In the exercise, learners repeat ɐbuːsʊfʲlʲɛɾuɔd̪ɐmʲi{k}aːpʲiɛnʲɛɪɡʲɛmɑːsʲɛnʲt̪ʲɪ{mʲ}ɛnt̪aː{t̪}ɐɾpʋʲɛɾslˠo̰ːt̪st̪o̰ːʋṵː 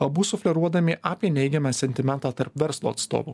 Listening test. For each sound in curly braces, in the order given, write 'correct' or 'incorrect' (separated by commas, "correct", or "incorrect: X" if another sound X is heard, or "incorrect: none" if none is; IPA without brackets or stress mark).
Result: incorrect: ʔ, correct, correct